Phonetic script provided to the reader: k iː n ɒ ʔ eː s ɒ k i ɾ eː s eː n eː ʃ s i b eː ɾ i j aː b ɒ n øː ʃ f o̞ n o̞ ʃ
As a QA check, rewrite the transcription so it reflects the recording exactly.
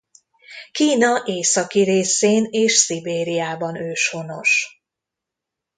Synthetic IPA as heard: k iː n ɒ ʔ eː s ɒ k i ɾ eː s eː n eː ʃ s i b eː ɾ i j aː b ɒ n øː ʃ h o̞ n o̞ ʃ